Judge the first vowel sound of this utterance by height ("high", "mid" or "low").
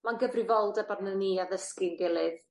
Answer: low